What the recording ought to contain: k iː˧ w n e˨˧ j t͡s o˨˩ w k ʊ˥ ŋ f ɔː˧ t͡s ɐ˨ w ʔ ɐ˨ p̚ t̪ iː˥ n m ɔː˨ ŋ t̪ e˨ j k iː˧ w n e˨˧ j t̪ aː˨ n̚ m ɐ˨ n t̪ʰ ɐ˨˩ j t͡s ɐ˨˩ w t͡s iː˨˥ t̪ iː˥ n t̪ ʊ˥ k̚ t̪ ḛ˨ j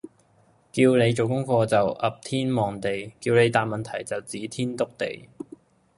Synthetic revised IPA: k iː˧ w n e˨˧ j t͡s o˨˩ w k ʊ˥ ŋ f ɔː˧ t͡s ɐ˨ w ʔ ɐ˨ p̚ t̪ʰ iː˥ n m ɔː˨ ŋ t̪ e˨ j k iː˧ w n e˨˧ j t̪ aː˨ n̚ m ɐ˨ n t̪ʰ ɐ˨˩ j t͡s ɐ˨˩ w t͡s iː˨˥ t̪ʰ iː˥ n t̪ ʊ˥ k̚ t̪ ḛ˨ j